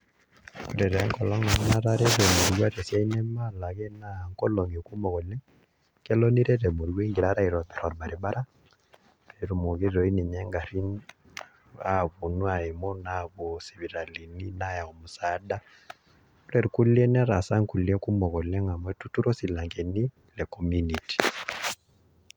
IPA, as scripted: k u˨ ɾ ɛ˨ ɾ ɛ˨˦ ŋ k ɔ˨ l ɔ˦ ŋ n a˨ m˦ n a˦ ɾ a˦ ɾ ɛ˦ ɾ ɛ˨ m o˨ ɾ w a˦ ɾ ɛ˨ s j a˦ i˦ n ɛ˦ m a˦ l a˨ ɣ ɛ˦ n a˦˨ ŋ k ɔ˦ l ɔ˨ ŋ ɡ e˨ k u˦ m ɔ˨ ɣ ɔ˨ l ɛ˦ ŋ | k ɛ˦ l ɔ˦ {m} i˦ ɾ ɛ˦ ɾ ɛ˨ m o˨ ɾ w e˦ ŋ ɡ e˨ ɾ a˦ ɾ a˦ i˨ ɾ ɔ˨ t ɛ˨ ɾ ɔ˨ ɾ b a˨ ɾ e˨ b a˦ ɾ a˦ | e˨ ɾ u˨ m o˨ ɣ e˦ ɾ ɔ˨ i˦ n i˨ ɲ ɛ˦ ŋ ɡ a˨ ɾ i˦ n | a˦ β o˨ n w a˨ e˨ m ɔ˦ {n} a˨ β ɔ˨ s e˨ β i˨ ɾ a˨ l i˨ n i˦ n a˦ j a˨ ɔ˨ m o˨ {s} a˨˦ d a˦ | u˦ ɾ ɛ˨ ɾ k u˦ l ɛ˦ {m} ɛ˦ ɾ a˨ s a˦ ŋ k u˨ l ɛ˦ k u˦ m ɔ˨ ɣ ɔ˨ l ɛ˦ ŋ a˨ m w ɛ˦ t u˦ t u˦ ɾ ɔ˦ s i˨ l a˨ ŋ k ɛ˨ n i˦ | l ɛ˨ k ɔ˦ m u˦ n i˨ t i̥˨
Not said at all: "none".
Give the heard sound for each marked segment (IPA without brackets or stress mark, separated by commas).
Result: n, n, s, n